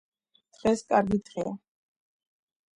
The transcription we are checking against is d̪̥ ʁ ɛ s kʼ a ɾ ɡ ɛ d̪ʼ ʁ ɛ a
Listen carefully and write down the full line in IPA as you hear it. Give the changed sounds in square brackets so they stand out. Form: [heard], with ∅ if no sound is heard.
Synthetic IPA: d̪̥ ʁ ɛ s kʼ a ɾ ɡ [i] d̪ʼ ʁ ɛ a